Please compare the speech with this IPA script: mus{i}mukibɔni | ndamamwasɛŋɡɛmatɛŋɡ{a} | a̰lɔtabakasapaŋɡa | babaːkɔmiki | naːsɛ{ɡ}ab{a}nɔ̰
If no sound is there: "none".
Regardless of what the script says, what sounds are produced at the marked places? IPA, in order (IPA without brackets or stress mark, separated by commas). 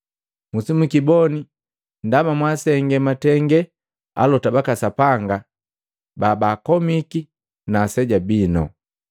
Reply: i, ɛ, ɟ, i